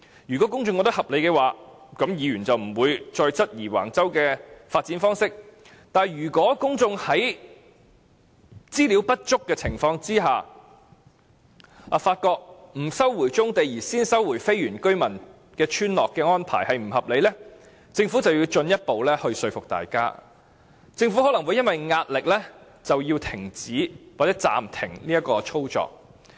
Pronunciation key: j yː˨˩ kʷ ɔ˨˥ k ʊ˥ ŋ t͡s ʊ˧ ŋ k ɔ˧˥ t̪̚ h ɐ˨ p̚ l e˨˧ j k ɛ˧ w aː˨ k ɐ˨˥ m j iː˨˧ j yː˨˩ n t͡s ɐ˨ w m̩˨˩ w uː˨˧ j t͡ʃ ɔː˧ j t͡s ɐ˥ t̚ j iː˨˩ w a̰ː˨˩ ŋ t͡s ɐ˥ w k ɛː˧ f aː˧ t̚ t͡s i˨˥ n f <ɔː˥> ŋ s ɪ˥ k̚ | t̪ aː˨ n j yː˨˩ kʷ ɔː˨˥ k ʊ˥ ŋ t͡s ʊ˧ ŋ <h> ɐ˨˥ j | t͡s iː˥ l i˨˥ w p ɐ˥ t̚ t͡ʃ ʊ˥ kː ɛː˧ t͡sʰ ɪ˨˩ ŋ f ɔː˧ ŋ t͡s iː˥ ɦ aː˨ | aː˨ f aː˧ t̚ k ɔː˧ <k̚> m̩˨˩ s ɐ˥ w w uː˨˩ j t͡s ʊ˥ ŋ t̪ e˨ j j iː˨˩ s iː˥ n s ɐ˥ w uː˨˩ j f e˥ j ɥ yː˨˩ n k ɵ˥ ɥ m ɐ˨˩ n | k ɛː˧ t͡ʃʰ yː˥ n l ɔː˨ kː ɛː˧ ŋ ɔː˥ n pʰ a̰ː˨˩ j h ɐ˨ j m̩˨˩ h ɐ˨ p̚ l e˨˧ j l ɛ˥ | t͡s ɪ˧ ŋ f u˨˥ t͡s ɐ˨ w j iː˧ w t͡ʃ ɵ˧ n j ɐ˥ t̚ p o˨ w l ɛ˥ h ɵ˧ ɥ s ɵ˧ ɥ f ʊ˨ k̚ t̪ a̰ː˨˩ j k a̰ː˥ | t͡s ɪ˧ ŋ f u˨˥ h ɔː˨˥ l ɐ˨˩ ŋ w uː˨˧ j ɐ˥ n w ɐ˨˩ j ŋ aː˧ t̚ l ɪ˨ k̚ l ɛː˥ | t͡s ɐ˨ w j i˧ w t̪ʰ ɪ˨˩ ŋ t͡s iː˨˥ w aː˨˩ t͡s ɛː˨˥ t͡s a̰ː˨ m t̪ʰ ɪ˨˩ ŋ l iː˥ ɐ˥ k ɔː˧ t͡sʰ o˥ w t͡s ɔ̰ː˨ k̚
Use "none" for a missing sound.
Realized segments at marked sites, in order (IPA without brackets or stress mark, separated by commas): ɔː˥, h, k̚